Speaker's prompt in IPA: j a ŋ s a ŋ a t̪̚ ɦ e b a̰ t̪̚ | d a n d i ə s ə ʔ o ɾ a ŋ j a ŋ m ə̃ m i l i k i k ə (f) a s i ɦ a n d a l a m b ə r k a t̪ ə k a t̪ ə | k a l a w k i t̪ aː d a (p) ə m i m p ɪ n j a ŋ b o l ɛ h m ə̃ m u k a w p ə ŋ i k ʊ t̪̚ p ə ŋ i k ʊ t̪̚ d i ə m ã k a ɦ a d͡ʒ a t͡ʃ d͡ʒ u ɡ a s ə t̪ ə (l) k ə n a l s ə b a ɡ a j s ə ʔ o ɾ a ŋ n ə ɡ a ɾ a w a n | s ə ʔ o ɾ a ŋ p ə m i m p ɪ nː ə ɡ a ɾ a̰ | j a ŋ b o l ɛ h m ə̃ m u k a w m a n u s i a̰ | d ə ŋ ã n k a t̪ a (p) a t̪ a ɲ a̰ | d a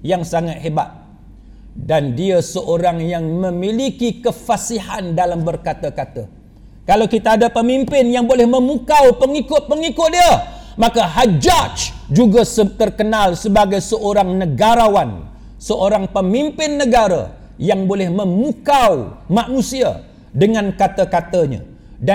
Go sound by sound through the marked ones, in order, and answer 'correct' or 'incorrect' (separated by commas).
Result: correct, correct, incorrect, incorrect